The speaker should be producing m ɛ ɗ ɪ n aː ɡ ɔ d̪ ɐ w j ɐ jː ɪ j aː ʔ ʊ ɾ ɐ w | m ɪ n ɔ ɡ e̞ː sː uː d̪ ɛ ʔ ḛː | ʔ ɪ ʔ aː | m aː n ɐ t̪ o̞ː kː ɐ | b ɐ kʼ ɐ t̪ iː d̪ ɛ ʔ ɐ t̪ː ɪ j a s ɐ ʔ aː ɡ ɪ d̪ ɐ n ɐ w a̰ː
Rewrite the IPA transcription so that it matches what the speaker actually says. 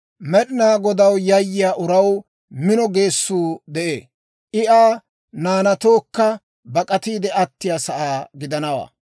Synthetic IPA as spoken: m ɛ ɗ ɪ n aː ɡ ɔ d̪ ɐ w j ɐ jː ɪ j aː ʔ ʊ ɾ ɐ w | m ɪ n ɔ ɡ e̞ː sː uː d̪ ɛ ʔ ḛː | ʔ ɪ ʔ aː | n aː n ɐ t̪ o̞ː kː ɐ | b ɐ kʼ ɐ t̪ iː d̪ ɛ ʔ ɐ t̪ː ɪ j a s ɐ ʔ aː ɡ ɪ d̪ ɐ n ɐ w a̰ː

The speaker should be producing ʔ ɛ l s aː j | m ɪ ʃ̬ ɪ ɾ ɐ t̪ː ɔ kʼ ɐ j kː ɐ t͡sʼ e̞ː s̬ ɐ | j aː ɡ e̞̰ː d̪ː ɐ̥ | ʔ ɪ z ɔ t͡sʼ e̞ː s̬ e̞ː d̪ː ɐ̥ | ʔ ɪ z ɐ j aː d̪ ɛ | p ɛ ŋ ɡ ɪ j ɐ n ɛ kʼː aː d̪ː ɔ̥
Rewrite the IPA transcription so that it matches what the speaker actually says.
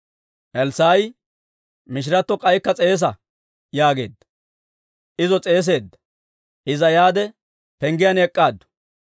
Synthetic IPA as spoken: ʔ ɛ l s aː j | m ɪ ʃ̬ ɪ ɾ ɐ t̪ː ɔ kʼ ɐ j kː ɐ t͡sʼ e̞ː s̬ ɐ | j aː ɡ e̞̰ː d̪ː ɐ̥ | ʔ ɪ z ɔ t͡sʼ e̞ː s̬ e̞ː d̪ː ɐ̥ | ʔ ɪ z ɐ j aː d̪ ɛ | p ɛ ŋ ɡ ɪ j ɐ n ɛ kʼː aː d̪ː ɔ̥

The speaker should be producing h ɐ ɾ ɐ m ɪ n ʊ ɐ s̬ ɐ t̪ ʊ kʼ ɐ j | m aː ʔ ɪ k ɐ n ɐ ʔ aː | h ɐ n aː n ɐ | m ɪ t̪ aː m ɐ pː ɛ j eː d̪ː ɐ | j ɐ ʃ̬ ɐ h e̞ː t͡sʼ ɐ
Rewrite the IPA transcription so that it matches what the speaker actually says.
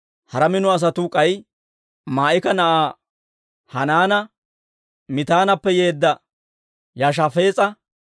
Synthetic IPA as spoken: h ɐ ɾ ɐ m ɪ n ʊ ɐ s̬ ɐ t̪ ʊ kʼ ɐ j | m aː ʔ ɪ k ɐ n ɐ ʔ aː | h ɐ n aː n ɐ | m ɪ t̪ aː n ɐ pː ɛ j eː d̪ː ɐ | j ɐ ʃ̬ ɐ f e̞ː t͡sʼ ɐ

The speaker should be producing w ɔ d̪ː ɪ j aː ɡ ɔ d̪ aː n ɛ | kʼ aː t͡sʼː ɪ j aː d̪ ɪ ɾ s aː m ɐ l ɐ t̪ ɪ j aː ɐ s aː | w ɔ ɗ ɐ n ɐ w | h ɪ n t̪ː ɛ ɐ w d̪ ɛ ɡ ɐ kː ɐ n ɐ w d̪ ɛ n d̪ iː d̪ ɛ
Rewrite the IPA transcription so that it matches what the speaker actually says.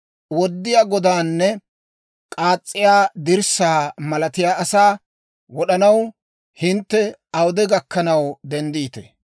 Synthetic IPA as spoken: w ɔ d̪ː ɪ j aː ɡ ɔ d̪ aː nː ɛ | kʼ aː t͡sʼː ɪ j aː d̪ ɪ ɾ s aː m ɐ l ɐ t̪ ɪ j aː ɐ s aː | w ɔ ɗ ɐ n ɐ w | h ɪ n t̪ː ɛ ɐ w d̪ ɛ ɡ ɐ kː ɐ n ɐ w d̪ ɛ n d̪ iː t̪ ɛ

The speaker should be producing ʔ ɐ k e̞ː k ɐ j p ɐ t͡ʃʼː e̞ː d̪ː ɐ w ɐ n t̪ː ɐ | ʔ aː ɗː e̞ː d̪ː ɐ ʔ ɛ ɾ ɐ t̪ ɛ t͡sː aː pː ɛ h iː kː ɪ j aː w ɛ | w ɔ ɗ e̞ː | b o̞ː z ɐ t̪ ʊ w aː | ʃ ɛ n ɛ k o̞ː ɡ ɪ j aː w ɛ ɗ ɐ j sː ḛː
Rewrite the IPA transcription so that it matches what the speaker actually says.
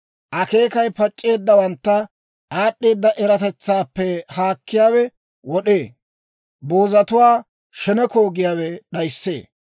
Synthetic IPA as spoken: ʔ ɐ k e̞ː k ɐ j p ɐ t͡ʃʼː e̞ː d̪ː ɐ w ɐ n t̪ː ɐ | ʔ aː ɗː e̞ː d̪ː ɐ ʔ ɛ ɾ ɐ t̪ ɛ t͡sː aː pː ɛ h aː kː ɪ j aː w ɛ | w ɔ ɗ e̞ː | b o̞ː z ɐ t̪ ʊ w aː | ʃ ɛ n ɛ k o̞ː ɡ ɪ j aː w ɛ ɗ ɐ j sː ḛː

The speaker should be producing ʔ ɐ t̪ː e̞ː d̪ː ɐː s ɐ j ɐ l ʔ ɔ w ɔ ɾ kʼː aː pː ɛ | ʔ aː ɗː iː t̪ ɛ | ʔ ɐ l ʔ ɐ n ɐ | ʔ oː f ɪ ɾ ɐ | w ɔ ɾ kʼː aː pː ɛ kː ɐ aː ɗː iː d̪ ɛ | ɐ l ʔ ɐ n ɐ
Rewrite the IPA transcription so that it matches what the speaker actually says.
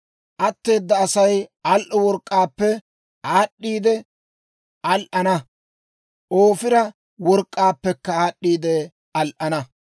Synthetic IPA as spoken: ʔ ɐ t̪ː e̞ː d̪ː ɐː s ɐ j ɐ l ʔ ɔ w ɔ ɾ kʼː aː pː ɛ | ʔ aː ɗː iː d̪ ɛ | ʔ ɐ l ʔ ɐ n ɐ | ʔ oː f ɪ ɾ ɐ | w ɔ ɾ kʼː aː pː ɛ kː ɐ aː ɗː iː d̪ ɛ | ɐ l ʔ ɐ n ɐ

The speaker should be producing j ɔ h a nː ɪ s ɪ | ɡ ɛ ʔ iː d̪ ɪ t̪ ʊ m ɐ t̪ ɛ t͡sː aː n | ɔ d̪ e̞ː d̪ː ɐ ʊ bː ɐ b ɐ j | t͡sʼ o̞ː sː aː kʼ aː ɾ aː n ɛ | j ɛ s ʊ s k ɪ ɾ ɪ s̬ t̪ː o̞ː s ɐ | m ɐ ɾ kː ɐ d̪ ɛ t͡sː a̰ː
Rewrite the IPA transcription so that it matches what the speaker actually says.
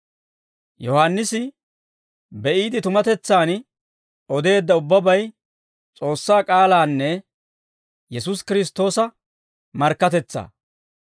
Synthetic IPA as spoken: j ɔ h a nː ɪ s ɪ | b ɛ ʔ iː d̪ ɪ t̪ ʊ m ɐ t̪ ɛ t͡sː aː n | ɔ d̪ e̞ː d̪ː ɐ ʊ bː ɐ b ɐ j | t͡sʼ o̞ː sː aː kʼ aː l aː nː ɛ | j ɛ s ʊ s k ɪ ɾ ɪ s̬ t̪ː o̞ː s ɐ | m ɐ ɾ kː ɐ t̪ ɛ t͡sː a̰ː

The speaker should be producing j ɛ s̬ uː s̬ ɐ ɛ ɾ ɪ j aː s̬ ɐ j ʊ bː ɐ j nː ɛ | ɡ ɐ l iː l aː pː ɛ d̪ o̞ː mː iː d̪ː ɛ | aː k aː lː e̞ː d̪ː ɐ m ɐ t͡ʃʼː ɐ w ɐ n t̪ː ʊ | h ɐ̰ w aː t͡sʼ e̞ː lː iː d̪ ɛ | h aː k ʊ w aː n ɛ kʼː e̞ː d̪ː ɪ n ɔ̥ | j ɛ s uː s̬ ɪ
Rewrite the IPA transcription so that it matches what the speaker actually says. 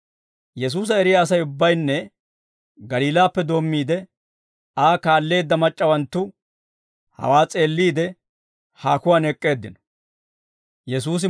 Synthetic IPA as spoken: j ɛ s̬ uː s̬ ɐ ɛ ɾ ɪ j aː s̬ ɐ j ʊ bː ɐ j nː ɛ | ɡ ɐ l iː l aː pː ɛ d̪ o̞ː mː iː d̪ ɛ | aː k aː lː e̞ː d̪ː ɐ m ɐ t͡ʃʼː ɐ w ɐ n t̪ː ʊ | h ɐ̰ w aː t͡sʼ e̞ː lː iː d̪ ɛ | h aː k ʊ w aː n ɛ kʼː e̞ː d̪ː ɪ n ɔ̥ | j ɛ s uː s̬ ɪ

